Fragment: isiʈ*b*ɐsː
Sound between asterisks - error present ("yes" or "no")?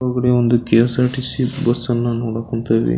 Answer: no